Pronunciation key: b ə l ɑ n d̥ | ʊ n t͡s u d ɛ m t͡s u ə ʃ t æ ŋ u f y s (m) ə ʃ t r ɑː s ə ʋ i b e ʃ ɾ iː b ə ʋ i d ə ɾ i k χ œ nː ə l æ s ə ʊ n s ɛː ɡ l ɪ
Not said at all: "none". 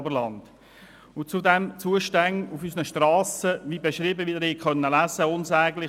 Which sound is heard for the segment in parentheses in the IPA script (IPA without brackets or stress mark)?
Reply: n